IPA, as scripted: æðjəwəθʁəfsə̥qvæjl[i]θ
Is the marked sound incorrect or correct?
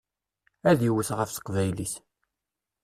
correct